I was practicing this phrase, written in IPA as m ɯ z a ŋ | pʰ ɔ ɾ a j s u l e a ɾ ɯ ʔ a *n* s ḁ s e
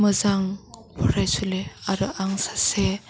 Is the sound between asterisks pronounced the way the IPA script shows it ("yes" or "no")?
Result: no